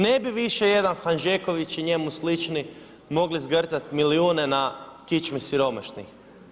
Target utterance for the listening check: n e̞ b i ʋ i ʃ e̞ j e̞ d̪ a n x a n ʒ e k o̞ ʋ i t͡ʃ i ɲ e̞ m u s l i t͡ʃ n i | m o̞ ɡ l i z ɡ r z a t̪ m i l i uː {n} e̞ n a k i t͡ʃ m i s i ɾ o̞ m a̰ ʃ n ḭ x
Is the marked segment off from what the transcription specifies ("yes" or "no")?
no